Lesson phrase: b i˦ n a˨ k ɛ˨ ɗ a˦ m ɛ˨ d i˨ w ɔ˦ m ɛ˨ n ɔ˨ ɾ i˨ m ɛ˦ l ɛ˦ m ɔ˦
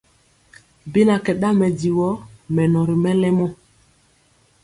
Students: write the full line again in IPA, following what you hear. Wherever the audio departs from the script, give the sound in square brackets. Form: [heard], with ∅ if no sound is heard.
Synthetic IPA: b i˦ n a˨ k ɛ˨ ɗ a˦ m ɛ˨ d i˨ w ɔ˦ m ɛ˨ n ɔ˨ ɾ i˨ m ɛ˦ l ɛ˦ m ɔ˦